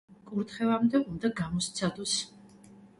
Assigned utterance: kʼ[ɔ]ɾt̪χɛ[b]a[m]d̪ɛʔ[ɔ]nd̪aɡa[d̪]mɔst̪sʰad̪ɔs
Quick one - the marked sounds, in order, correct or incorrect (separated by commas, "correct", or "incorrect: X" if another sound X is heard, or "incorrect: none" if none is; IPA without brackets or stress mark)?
incorrect: u, incorrect: v, correct, incorrect: u, incorrect: none